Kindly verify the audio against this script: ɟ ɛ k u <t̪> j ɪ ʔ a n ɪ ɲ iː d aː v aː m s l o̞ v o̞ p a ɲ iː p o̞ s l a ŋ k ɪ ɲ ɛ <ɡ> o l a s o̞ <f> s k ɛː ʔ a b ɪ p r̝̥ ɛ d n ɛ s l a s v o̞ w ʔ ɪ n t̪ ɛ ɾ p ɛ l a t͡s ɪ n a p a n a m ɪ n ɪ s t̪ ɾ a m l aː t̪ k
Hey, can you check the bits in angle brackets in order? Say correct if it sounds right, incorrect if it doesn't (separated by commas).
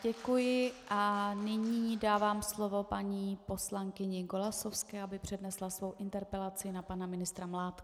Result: incorrect, correct, correct